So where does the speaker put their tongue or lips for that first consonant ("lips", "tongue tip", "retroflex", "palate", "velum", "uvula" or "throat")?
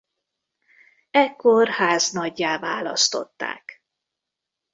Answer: velum